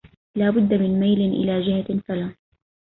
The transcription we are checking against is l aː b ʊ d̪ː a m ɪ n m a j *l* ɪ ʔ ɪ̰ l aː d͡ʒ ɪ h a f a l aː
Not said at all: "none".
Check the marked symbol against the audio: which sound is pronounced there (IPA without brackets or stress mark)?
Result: l